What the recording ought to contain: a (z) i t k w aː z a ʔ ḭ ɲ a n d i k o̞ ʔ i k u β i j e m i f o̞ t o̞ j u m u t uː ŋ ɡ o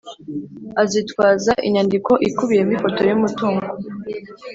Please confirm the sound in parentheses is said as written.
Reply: yes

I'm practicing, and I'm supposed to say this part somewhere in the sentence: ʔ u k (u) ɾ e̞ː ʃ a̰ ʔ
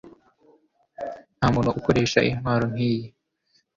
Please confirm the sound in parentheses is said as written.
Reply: no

